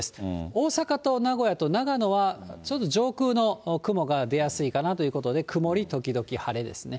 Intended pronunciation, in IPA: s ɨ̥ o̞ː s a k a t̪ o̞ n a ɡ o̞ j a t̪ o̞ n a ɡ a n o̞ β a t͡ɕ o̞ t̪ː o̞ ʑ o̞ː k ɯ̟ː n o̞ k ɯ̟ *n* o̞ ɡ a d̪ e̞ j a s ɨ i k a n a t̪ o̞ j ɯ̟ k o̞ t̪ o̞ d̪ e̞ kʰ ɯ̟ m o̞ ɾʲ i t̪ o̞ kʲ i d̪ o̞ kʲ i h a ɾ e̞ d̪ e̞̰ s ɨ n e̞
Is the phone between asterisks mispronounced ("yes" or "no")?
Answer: yes